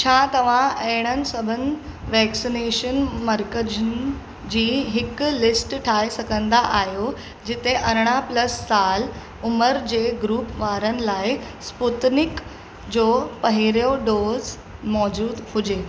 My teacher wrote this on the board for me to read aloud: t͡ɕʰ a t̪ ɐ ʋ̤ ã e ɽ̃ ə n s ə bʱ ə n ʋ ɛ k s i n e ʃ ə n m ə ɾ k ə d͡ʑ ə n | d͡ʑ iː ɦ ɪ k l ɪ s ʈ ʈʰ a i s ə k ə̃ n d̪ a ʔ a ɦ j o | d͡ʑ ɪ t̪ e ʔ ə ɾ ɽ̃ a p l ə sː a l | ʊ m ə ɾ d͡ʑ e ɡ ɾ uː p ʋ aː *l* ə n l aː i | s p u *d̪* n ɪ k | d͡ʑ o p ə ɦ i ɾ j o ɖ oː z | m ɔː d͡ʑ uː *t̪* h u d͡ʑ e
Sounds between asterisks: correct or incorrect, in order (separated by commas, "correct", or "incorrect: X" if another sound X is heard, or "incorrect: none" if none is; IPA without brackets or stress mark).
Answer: incorrect: ɾ, incorrect: t̪, incorrect: d̪